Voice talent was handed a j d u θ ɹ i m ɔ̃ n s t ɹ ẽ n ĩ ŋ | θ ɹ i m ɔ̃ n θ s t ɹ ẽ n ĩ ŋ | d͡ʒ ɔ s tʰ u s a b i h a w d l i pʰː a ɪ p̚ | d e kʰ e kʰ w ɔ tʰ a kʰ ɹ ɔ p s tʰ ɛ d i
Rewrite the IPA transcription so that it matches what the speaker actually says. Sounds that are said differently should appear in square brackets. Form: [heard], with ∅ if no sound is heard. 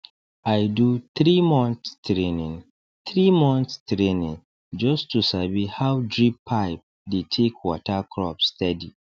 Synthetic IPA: a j d u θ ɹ i m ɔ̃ n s t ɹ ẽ n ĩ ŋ | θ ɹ i m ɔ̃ n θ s t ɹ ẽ n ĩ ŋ | d͡ʒ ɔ s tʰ u s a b i h a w d [ɹ] i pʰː a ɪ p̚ | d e [tʰ] e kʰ w ɔ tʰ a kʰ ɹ ɔ p s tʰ ɛ d i